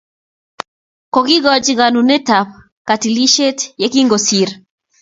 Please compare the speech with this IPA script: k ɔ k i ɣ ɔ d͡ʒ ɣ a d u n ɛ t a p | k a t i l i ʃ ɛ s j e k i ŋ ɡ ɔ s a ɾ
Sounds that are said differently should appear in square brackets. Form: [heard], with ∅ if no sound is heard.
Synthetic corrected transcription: k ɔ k i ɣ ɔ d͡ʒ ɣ a [n] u n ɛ t a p | k a t i l i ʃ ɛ [t] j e k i ŋ ɡ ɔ s [i] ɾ

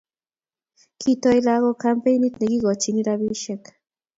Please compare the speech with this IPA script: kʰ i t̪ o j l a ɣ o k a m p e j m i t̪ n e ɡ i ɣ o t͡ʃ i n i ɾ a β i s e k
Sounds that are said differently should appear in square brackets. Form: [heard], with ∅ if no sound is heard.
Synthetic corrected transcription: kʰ i t̪ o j l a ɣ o k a m p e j [n] i t̪ n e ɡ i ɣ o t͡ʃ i n i ɾ a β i [ʃ] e k

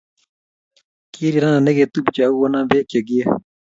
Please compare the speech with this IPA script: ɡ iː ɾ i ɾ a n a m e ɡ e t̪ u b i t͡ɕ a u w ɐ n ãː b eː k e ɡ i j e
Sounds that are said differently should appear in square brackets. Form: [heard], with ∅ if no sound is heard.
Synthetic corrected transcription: [k] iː ɾ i ɾ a n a [n] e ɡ e t̪ u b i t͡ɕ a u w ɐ n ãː b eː k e ɡ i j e

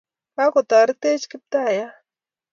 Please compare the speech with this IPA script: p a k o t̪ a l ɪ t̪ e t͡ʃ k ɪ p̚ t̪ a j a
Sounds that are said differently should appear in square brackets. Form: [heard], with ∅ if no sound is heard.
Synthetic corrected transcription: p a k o t̪ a [ɾ] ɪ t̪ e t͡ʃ k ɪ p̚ t̪ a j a

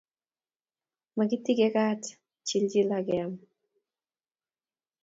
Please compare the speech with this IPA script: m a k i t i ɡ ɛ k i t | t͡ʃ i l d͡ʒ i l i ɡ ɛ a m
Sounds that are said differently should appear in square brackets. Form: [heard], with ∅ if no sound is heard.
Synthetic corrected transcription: m a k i t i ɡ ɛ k [a] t | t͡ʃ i l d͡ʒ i l [a] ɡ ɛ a m

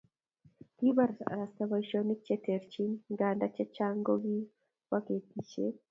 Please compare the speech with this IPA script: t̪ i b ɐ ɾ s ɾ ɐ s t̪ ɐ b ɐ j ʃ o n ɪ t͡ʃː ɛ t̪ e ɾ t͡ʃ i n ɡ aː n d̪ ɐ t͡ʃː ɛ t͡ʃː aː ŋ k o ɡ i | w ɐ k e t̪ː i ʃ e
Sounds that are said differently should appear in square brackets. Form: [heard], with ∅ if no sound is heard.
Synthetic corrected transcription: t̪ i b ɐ ɾ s ɾ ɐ s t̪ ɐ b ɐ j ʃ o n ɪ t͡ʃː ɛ t̪ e ɾ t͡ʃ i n ɡ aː n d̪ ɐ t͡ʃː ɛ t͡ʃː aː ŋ [ɡ] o ɡ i | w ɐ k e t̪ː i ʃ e

